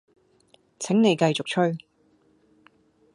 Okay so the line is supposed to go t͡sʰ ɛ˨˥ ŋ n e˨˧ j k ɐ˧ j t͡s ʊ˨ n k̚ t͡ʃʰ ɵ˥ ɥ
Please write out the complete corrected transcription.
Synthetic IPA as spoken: t͡sʰ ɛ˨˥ ŋ n e˨˧ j k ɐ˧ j t͡s ʊ˨ k̚ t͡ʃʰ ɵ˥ ɥ